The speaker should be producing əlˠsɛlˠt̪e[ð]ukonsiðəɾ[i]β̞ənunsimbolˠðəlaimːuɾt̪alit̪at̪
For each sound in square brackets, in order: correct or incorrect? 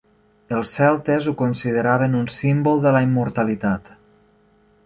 incorrect: z, incorrect: a

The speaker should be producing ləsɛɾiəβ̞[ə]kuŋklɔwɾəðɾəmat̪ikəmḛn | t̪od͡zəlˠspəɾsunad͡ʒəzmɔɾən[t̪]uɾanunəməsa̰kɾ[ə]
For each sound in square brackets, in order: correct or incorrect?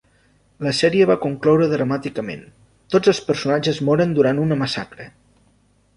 incorrect: a, incorrect: d̪, correct

